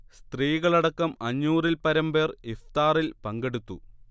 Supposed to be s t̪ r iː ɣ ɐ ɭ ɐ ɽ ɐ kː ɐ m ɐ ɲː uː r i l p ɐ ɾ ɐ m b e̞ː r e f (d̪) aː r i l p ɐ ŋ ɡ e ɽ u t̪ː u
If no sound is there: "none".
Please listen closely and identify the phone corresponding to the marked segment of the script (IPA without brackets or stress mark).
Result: t̪